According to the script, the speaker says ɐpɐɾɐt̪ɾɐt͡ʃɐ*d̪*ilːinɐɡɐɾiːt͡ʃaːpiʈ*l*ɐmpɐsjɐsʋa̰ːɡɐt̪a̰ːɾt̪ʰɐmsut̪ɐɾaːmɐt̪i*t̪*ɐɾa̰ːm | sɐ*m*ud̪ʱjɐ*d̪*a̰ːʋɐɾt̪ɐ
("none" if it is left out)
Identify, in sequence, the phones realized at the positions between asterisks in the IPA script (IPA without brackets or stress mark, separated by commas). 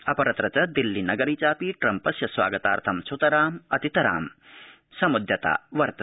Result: d̪, ɾ, t̪, m, t̪